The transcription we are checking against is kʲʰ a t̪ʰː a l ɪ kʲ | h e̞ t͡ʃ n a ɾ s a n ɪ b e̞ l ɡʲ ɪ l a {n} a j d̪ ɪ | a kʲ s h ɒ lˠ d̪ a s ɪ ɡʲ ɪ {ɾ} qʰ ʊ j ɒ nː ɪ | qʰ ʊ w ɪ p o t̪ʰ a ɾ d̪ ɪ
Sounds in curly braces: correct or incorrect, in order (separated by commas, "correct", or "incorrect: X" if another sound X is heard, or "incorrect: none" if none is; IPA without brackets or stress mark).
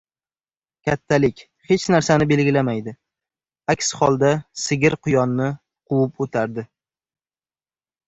incorrect: m, correct